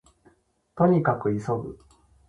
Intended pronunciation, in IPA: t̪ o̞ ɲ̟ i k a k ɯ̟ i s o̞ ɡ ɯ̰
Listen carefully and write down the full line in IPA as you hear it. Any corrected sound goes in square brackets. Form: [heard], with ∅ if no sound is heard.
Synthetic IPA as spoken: t̪ o̞ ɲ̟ i k a k ɯ̟ i s o̞ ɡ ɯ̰